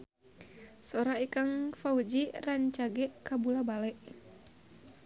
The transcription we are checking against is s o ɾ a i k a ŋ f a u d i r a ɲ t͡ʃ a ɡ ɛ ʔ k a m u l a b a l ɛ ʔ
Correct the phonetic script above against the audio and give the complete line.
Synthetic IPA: s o ɾ a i k a ŋ f a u d͡ʒ i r a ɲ t͡ʃ a ɡ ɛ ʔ k a b u l a b a l ɛ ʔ